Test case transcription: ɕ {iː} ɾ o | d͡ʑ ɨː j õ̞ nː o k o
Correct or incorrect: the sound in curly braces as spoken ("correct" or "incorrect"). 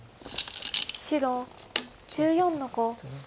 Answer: incorrect